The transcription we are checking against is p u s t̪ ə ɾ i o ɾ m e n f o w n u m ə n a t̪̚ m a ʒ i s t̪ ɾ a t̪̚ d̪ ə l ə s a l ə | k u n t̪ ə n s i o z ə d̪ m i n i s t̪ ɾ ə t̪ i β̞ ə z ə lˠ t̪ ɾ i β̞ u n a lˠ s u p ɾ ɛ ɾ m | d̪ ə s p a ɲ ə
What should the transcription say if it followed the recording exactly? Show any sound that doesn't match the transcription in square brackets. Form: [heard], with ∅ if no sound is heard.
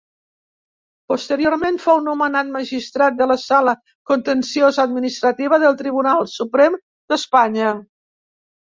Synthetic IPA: p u s t̪ ə ɾ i o ɾ m e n f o w n u m ə n a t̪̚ m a ʒ i s t̪ ɾ a t̪̚ d̪ ə l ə s a l ə | k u n t̪ ə n s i o z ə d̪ m i n i s t̪ ɾ ə t̪ i β̞ ə [ð] ə lˠ t̪ ɾ i β̞ u n a lˠ s u p ɾ ɛ [∅] m | d̪ ə s p a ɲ ə